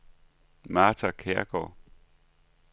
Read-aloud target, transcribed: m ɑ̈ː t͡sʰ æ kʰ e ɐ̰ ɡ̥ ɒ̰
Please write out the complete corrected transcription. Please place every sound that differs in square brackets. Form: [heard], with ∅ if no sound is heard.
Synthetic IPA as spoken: m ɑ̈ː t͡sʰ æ kʰ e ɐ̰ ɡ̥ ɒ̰

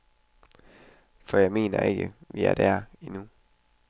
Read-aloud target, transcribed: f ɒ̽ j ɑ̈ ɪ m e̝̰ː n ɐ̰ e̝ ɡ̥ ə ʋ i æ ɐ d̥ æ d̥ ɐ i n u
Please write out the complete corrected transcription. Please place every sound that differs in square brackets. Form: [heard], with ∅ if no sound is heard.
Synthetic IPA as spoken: f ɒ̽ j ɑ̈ ɪ m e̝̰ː n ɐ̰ e̝ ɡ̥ ə ʋ i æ ɐ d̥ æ [∅] ɐ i n u

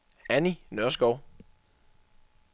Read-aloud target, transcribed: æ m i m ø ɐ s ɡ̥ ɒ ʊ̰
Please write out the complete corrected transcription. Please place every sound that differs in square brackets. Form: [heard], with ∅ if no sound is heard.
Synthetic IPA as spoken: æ [n] i [n] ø ɐ s ɡ̥ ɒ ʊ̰

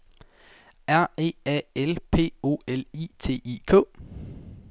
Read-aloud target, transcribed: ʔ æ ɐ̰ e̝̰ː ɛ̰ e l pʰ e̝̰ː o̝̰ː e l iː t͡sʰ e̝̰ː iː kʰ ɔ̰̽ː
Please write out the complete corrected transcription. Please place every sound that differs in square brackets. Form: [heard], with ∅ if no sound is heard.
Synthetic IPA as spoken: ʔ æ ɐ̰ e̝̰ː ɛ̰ e l pʰ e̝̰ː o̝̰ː e l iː t͡sʰ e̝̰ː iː kʰ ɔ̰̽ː

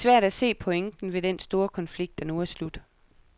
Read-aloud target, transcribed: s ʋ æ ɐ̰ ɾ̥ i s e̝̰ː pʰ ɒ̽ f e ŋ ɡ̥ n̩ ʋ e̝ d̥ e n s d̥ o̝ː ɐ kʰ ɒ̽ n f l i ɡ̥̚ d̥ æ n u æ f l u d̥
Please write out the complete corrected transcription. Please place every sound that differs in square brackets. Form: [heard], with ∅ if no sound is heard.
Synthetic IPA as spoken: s ʋ æ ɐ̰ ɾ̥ [æ] s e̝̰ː pʰ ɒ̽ [∅] e ŋ [d̥] n̩ ʋ e̝ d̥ e n s d̥ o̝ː ɐ kʰ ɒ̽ n f l i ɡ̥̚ d̥ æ n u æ [s] l u d̥

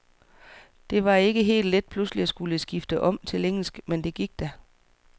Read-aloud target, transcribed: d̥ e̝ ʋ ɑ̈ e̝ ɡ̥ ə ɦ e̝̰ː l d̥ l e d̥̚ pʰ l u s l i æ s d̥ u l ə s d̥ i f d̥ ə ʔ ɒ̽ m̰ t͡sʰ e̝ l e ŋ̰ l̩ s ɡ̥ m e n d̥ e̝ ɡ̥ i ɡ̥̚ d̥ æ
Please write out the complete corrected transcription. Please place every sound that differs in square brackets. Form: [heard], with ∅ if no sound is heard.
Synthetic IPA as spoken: d̥ e̝ ʋ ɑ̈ e̝ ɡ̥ ə ɦ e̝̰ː l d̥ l e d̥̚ pʰ l u s l i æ s [ɡ̥] u l ə s [ɡ̥] i f d̥ ə ʔ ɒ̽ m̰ t͡sʰ e̝ l e ŋ̰ l̩ s ɡ̥ m e n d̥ e̝ ɡ̥ i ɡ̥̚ d̥ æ

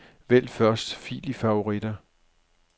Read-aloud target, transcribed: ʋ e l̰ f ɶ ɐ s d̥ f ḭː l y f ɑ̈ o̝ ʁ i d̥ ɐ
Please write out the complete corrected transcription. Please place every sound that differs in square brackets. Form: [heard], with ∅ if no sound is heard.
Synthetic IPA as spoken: ʋ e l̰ f ɶ ɐ s d̥ f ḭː l [i] f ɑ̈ o̝ ʁ i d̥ ɐ

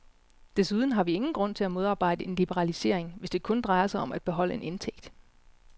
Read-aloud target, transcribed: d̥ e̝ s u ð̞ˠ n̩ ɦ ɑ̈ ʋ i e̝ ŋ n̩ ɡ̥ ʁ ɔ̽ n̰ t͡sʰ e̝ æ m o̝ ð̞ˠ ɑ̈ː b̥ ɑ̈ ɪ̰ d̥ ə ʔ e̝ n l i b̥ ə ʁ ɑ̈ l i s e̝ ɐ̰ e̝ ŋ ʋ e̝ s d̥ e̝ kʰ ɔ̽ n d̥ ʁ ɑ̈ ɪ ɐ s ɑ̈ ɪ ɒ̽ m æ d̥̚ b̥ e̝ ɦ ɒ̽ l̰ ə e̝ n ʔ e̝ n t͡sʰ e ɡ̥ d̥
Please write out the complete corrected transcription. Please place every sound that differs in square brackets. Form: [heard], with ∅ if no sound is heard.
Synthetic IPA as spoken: d̥ e̝ s u ð̞ˠ n̩ ɦ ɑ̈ ʋ i e̝ ŋ n̩ ɡ̥ ʁ ɔ̽ n̰ t͡sʰ e̝ æ m o̝ ð̞ˠ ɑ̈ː b̥ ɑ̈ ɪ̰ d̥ ə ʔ e̝ n l i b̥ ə ʁ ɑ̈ l i s e̝ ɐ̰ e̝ ŋ ʋ e̝ s d̥ e̝ kʰ ɔ̽ n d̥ ʁ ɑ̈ ɪ ɐ s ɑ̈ ɪ ɒ̽ m æ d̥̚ b̥ e̝ ɦ ɒ̽ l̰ ə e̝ n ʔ e̝ n t͡sʰ e ɡ̥ d̥

